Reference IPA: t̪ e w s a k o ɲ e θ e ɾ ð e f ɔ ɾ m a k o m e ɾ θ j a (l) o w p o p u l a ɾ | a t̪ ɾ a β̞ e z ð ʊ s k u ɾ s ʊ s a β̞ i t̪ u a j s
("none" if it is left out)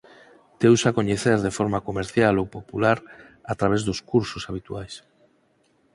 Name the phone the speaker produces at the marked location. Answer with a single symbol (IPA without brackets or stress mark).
l